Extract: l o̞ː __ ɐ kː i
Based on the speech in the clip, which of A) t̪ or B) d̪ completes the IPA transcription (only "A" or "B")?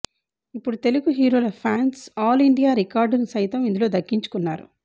B